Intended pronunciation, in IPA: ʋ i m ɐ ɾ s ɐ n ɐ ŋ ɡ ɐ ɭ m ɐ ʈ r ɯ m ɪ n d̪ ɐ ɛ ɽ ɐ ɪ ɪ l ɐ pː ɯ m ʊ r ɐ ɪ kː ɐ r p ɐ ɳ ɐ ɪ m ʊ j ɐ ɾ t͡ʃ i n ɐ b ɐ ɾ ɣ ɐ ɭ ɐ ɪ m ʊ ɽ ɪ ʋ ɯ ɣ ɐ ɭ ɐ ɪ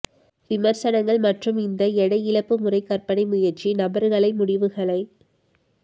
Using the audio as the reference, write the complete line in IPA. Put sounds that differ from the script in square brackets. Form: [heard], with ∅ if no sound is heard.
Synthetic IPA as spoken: ʋ [ɪ] m ɐ ɾ s ɐ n ɐ ŋ ɡ ɐ ɭ m ɐ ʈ r ɯ m ɪ n d̪ ɐ ɛ ɽ ɐ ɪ ɪ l ɐ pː ɯ m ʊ r ɐ ɪ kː ɐ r p ɐ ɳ ɐ ɪ m ʊ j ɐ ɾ t͡ʃ i n ɐ b ɐ ɾ ɣ ɐ ɭ ɐ ɪ m ʊ ɽ ɪ ʋ ɯ ɣ ɐ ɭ ɐ ɪ

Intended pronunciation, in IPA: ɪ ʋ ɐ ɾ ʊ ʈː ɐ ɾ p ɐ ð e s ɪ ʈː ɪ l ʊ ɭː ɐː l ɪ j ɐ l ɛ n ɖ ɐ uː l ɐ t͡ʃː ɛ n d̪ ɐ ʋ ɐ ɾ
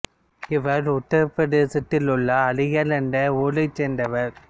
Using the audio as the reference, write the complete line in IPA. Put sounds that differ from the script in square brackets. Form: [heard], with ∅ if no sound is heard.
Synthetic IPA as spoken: ɪ ʋ ɐ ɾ ʊ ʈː ɐ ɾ p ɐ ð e s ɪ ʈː ɪ l ʊ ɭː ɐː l ɪ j ɐ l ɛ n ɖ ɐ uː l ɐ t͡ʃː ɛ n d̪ ɐ ʋ ɐ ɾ

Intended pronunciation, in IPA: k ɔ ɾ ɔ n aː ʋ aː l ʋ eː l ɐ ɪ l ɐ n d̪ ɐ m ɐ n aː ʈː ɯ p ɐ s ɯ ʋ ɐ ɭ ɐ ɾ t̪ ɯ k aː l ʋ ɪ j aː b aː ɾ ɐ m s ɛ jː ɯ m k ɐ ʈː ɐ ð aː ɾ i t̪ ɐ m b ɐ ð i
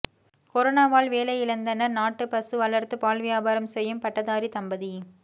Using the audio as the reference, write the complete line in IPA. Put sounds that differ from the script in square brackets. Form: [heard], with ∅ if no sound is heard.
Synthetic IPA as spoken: k ɔ ɾ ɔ n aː ʋ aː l ʋ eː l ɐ ɪ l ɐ n d̪ ɐ [n] ɐ n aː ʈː ɯ p ɐ s ɯ ʋ ɐ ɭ ɐ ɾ t̪ ɯ [p] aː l ʋ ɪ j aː b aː ɾ ɐ m s ɛ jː ɯ m [p] ɐ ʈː ɐ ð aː ɾ i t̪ ɐ m b ɐ ð i

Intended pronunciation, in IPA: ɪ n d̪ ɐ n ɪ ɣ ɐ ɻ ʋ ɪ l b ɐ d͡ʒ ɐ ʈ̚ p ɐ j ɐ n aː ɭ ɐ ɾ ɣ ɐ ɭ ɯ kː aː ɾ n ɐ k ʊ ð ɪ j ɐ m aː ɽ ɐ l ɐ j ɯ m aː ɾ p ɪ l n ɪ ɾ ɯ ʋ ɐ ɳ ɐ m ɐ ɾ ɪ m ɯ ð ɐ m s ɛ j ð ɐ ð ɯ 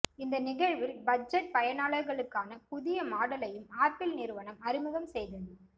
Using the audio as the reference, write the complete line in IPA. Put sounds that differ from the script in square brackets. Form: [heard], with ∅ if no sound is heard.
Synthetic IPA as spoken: ɪ n d̪ ɐ n ɪ ɣ ɐ ɻ ʋ ɪ l b ɐ d͡ʒ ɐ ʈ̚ p ɐ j ɐ n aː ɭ ɐ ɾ ɣ ɐ ɭ ɯ kː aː [∅] n ɐ [p] ʊ ð ɪ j ɐ m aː ɽ ɐ l ɐ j ɯ m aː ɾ p ɪ l n ɪ ɾ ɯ ʋ ɐ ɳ ɐ m ɐ ɾ ɪ m ɯ [ɣ] ɐ m s ɛ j ð ɐ ð ɯ

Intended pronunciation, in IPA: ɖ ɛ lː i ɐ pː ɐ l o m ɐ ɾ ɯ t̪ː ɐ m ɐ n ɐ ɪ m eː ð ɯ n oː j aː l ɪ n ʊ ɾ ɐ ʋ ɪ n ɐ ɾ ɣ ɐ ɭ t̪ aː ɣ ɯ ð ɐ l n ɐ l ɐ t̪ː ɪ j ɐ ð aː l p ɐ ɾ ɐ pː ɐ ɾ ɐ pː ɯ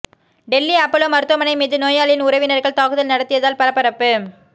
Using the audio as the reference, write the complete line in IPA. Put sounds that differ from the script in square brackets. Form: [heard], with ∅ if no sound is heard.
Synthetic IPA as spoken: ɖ ɛ lː i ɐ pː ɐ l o m ɐ ɾ ɯ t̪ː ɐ m ɐ n ɐ ɪ m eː ð ɯ n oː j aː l ɪ n ʊ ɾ ɐ ʋ ɪ n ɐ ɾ ɣ ɐ ɭ t̪ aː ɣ ɯ ð ɐ l n ɐ [ɽ] ɐ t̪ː ɪ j ɐ ð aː l p ɐ ɾ ɐ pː ɐ ɾ ɐ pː ɯ

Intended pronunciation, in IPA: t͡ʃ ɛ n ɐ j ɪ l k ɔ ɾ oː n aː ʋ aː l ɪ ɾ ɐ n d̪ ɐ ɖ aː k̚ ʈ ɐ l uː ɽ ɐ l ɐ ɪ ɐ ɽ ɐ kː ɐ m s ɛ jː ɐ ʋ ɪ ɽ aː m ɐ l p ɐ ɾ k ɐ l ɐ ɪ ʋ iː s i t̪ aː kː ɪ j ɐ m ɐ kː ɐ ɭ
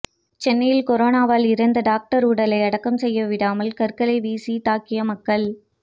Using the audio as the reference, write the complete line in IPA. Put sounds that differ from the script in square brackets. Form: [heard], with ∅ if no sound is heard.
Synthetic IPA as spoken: t͡ʃ ɛ [nː] ɐ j ɪ l k ɔ ɾ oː n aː ʋ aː l ɪ ɾ ɐ n d̪ ɐ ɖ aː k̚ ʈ ɐ [ɾ] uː ɽ ɐ l ɐ ɪ ɐ ɽ ɐ kː ɐ m s ɛ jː ɐ ʋ ɪ ɽ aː m ɐ l [k] ɐ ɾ k ɐ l ɐ ɪ ʋ iː s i t̪ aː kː ɪ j ɐ m ɐ kː ɐ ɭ

